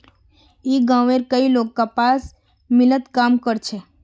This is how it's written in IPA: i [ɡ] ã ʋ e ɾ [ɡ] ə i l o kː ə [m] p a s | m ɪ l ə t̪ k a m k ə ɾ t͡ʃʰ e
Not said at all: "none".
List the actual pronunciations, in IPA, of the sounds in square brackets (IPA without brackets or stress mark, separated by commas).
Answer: ɡ, k, none